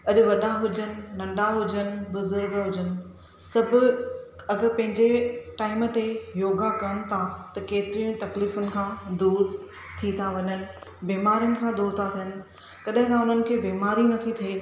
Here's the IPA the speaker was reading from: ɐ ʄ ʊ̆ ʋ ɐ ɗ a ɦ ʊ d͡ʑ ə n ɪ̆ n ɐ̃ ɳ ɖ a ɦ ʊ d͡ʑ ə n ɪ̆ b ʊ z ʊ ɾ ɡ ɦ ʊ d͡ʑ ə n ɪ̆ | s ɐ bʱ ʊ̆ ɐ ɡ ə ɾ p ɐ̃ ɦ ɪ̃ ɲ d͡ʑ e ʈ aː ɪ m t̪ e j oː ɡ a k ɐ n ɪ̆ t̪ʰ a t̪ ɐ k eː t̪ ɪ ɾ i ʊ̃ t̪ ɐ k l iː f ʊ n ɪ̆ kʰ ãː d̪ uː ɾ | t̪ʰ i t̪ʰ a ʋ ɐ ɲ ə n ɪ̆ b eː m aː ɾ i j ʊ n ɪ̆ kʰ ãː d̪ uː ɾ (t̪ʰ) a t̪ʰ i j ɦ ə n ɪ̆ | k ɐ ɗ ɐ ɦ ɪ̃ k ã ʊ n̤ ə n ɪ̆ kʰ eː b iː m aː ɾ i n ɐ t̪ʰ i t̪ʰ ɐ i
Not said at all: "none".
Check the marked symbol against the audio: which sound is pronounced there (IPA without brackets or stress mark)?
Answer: t̪ʰ